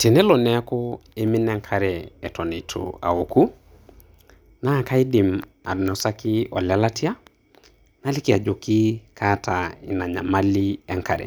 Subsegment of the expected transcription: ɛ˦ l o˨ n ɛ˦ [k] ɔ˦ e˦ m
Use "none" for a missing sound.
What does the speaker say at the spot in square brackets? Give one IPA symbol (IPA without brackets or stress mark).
k